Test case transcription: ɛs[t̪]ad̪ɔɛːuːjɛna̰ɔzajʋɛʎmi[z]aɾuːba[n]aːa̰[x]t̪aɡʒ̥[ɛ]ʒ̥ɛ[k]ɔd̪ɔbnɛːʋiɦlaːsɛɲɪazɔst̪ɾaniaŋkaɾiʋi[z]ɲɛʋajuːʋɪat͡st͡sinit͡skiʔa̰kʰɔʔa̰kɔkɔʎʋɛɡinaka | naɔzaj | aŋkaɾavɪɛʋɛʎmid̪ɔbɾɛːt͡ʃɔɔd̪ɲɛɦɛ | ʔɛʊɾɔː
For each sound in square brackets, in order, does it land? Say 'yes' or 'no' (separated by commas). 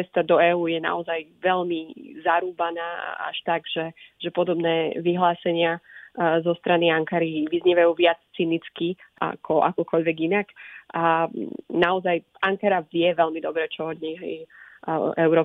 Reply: yes, yes, yes, no, yes, no, yes